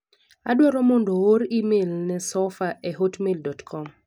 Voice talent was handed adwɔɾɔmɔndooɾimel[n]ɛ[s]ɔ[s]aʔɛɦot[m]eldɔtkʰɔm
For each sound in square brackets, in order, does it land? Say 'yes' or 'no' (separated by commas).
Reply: yes, yes, no, yes